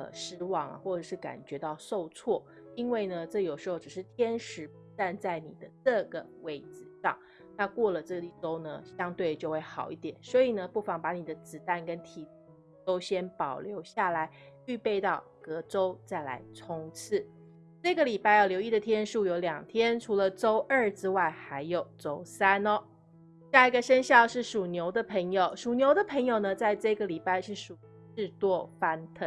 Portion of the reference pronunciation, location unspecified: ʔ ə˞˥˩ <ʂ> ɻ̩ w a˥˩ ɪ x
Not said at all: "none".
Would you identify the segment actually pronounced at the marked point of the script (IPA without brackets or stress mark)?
ʈ͡ʂ